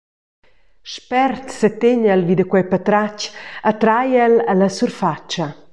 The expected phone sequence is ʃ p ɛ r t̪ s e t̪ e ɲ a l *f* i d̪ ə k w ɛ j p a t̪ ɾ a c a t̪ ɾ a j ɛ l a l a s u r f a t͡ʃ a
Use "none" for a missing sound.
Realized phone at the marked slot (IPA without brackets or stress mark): v